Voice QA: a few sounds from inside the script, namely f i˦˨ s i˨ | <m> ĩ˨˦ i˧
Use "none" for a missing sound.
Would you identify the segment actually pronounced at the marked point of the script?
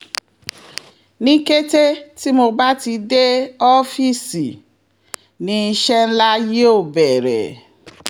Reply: n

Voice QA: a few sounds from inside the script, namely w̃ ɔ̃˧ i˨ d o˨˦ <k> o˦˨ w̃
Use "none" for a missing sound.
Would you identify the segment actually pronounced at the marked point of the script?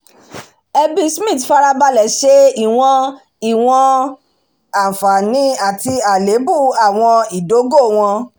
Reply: ɡ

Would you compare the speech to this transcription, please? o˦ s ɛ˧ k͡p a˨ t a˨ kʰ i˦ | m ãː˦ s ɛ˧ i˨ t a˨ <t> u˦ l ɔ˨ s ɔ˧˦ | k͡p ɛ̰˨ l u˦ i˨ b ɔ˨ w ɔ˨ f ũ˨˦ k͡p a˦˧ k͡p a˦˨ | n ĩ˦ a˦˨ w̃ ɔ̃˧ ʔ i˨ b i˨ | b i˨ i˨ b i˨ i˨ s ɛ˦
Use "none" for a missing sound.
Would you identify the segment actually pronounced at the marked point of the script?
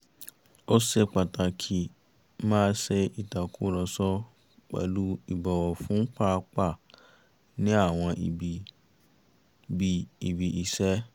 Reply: k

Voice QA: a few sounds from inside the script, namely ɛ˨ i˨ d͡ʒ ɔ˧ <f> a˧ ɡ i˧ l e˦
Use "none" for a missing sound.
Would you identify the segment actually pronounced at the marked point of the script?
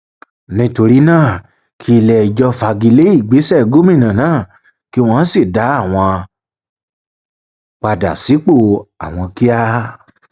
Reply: f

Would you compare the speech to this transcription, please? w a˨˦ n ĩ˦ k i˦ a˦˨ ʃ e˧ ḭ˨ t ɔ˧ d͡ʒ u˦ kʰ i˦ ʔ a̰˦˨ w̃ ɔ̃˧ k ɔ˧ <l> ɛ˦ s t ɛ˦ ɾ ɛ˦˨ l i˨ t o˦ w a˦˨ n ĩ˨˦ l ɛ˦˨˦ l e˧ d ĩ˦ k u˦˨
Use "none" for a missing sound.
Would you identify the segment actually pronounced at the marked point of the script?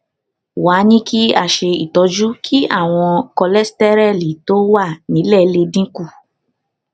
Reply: l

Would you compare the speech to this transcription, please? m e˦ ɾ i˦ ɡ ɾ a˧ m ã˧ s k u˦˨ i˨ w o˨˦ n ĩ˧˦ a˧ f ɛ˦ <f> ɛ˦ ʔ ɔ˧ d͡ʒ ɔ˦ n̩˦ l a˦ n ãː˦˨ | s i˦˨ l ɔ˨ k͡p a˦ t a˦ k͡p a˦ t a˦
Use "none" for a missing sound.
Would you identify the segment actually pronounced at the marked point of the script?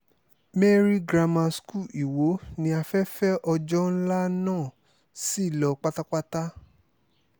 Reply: f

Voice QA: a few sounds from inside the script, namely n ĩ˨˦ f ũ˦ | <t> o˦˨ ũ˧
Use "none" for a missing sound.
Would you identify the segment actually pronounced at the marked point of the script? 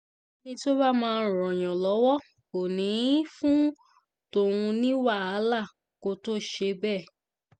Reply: t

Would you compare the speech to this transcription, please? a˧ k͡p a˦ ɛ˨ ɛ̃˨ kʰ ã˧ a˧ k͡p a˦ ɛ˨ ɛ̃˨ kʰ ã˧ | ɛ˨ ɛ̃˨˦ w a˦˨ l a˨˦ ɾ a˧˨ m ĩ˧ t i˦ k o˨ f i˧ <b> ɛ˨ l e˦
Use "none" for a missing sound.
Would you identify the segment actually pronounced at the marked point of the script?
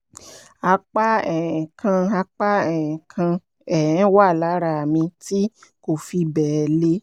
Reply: b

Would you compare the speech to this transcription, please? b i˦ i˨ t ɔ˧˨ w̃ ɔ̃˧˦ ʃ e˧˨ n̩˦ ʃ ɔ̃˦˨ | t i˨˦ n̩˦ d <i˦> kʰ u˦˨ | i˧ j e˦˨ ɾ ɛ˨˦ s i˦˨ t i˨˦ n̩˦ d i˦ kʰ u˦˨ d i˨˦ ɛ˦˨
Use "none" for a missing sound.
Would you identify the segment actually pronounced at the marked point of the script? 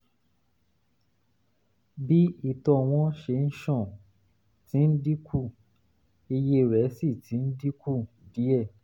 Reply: i˦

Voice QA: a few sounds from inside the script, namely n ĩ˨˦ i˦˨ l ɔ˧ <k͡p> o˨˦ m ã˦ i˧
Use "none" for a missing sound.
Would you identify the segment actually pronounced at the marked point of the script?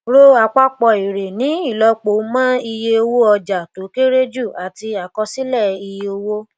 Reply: k͡p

